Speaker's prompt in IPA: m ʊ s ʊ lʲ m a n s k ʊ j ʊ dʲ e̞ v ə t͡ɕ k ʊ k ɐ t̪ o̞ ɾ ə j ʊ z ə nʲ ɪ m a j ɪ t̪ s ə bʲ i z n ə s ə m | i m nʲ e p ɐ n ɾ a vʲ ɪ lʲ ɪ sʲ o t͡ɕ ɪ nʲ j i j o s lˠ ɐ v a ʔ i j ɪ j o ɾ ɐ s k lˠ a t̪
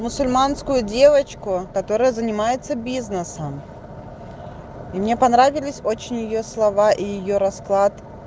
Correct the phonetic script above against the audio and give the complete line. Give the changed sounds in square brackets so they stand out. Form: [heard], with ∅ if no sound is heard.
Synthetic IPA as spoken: m ʊ s ʊ lʲ m a n s k ʊ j ʊ dʲ e̞ v ə t͡ɕ k ʊ k ɐ t̪ o̞ ɾ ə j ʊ z ə nʲ ɪ m a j ɪ t̪ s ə bʲ i z n ə s ə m | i m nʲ e p ɐ n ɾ a vʲ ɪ lʲ ɪ sʲ o t͡ɕ ɪ nʲ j [ɪ] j o s lˠ ɐ v a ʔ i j ɪ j o ɾ ɐ s k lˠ a t̪

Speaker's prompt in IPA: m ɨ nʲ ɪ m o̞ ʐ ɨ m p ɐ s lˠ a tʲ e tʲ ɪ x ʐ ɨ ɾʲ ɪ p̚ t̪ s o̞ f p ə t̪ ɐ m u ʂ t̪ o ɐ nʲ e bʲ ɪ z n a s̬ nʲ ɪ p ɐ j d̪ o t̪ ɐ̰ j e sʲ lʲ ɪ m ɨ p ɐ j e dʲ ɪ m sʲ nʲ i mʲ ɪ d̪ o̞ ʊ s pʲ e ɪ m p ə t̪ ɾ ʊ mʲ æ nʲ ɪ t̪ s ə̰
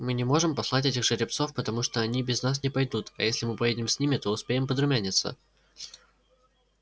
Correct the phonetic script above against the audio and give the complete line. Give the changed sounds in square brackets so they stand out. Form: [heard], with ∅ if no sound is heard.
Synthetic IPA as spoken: m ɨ nʲ ɪ m o̞ ʐ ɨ m p ɐ s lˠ a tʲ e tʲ ɪ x ʐ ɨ ɾʲ ɪ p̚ t̪ s o̞ f p ə t̪ ɐ m u ʂ t̪ o ɐ nʲ [i] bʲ ɪ z n a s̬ nʲ ɪ p ɐ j d̪ [u] t̪ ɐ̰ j e sʲ lʲ ɪ m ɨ p ɐ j e dʲ ɪ m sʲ nʲ i mʲ ɪ [t̪] o̞ ʊ s pʲ e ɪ m p ə [d̪] ɾ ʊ mʲ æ nʲ ɪ t̪ s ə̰

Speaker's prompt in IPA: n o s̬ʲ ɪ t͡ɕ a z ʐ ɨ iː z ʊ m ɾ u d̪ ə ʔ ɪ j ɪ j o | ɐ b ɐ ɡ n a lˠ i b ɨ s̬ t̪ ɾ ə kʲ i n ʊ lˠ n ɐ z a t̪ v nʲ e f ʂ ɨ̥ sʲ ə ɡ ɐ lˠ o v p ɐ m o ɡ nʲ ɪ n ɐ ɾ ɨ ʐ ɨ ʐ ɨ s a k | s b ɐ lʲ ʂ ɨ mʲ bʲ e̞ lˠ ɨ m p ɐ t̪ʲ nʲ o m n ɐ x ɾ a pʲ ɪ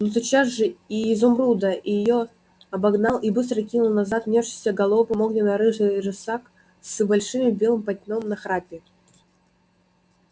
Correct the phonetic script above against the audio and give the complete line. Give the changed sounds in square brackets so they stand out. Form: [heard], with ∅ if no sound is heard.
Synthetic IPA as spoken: n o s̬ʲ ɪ t͡ɕ a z ʐ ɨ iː z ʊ m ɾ u d̪ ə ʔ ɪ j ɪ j o | ɐ b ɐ ɡ n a lˠ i b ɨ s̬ t̪ ɾ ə kʲ i n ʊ lˠ n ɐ z a t̪ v nʲ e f ʂ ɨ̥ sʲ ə ɡ ɐ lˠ o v p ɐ m o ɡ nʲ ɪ n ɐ ɾ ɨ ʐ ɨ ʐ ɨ s a k | s b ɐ lʲ ʂ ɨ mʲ bʲ e̞ lˠ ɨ m p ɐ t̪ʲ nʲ o m n ɐ x ɾ a pʲ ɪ

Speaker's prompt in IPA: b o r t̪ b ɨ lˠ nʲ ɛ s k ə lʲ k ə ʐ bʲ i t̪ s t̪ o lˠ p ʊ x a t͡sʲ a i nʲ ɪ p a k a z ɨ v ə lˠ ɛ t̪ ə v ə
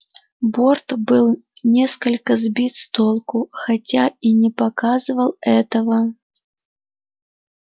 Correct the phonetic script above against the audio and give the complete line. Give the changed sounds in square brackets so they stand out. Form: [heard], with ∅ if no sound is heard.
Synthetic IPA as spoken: b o r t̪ b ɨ lˠ nʲ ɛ s k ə lʲ k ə [z] bʲ i t̪ s t̪ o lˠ [k] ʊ x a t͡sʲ a i nʲ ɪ p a k a z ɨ v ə lˠ ɛ t̪ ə v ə

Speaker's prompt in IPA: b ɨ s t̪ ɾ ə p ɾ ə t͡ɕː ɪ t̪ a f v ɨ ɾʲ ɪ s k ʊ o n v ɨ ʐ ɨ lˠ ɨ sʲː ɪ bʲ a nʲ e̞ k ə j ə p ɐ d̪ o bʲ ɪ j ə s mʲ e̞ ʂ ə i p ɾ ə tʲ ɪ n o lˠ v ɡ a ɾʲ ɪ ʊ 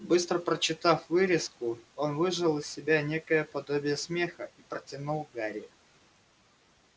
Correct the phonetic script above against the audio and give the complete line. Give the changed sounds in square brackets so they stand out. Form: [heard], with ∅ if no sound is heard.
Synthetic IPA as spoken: b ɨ s t̪ ɾ ə p ɾ ə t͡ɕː ɪ t̪ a f v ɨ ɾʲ ɪ s k ʊ o n v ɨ ʐ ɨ lˠ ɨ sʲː ɪ bʲ a nʲ e̞ k ə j ə p ɐ d̪ o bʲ ɪ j ə s mʲ e̞ [x] ə i p ɾ ə tʲ ɪ n [u] lˠ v ɡ a ɾʲ ɪ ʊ

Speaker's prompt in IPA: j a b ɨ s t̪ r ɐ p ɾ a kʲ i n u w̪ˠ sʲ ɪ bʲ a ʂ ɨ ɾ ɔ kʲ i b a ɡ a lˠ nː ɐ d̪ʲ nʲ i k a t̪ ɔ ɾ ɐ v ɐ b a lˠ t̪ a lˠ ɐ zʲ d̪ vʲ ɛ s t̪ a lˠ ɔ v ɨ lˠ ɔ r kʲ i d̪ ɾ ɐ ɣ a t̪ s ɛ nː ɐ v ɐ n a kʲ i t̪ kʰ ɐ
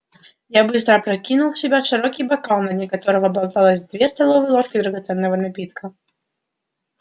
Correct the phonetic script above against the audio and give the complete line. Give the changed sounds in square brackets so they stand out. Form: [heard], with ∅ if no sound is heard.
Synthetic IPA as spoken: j a b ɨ s t̪ [ɾ] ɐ p ɾ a kʲ i n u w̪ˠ sʲ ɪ bʲ a ʂ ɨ ɾ ɔ kʲ i b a [k] a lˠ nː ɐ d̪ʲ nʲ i k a t̪ ɔ ɾ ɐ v ɐ b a lˠ t̪ a lˠ ɐ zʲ d̪ vʲ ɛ s t̪ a lˠ ɔ v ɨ lˠ ɔ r kʲ i d̪ ɾ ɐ ɣ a t̪ s ɛ nː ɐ v ɐ n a [pʲ] i t̪ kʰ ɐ

